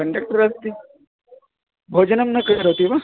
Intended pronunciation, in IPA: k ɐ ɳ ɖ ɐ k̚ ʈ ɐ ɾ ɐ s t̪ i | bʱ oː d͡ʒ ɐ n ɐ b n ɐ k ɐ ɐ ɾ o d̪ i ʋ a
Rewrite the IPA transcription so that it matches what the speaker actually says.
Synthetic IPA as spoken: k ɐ ɳ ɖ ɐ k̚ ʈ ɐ ɾ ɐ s t̪ i | bʱ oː d͡ʒ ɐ n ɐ m n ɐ k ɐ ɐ ɾ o t̪ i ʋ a